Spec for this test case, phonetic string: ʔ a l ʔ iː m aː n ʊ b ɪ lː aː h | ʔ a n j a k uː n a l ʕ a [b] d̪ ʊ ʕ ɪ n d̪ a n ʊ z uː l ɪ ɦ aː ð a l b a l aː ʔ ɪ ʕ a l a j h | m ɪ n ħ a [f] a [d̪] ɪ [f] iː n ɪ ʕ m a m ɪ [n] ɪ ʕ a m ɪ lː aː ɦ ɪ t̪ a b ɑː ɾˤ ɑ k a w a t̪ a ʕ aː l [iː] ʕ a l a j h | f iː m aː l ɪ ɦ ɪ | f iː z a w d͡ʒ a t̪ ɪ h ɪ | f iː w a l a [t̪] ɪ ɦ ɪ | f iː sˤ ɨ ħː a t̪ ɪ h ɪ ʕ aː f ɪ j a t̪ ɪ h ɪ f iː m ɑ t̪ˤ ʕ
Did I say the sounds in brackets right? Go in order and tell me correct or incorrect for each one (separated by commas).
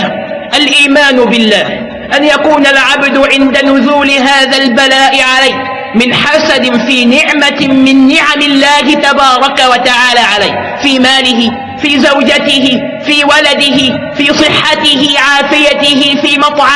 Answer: correct, incorrect, correct, correct, incorrect, incorrect, incorrect